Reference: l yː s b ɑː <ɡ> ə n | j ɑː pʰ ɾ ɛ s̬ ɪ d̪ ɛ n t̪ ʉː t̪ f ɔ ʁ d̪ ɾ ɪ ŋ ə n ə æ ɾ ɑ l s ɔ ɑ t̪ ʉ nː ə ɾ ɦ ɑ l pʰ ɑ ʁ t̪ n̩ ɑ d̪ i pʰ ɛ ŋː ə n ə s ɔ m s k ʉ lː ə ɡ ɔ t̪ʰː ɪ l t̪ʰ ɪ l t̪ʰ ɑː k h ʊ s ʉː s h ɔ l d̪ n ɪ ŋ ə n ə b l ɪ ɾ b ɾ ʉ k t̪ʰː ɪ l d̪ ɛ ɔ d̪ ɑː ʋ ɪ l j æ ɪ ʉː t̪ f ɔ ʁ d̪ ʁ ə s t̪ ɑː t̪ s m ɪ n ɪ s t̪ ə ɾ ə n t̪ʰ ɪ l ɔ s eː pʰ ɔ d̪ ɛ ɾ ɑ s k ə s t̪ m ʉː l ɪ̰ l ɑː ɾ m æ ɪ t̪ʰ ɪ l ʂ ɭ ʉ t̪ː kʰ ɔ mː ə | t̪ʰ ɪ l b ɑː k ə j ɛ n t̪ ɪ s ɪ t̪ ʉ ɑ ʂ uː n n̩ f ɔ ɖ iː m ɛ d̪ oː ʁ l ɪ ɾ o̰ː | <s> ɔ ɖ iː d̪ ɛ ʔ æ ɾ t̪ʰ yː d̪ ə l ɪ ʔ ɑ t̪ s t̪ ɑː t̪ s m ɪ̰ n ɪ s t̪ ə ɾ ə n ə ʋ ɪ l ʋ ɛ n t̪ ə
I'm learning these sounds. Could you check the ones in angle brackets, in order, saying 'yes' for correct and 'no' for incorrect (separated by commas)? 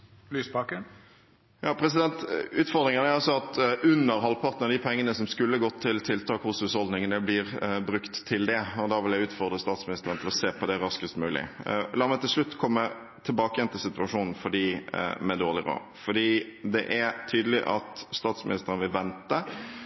no, no